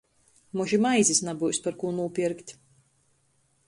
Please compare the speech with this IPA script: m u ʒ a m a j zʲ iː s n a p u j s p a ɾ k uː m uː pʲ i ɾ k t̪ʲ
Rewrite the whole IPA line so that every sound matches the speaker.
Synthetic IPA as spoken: m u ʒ i m a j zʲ i s n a b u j s p a ɾ k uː n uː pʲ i ɾ k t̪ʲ